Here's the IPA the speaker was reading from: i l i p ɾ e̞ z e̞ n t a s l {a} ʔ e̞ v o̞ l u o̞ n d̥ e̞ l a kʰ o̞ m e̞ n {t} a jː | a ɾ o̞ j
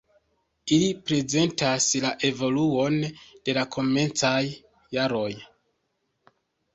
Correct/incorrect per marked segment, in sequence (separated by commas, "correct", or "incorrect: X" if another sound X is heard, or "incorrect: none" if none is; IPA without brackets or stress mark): correct, incorrect: t͡s